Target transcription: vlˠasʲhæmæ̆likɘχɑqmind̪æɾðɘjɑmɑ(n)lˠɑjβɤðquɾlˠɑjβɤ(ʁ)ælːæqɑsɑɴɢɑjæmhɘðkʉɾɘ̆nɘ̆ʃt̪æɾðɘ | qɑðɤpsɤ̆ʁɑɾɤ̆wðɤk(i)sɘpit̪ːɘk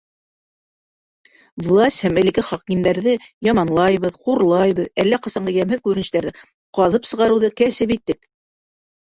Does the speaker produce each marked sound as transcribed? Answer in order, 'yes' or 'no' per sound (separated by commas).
yes, no, no